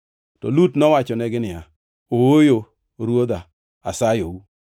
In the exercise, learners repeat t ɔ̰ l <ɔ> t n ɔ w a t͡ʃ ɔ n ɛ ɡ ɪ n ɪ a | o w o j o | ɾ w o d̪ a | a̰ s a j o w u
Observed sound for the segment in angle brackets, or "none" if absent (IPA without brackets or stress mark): u